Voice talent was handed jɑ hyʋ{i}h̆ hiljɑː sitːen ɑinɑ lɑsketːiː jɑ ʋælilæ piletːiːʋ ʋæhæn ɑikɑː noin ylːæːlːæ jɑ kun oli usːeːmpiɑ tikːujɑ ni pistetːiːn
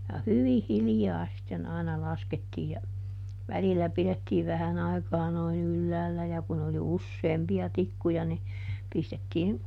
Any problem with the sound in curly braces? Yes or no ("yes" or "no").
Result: no